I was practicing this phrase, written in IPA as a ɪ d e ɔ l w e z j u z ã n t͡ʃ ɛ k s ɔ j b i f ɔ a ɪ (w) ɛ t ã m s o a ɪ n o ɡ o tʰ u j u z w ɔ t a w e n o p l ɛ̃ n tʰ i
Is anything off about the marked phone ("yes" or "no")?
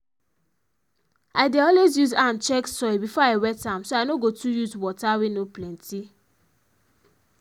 no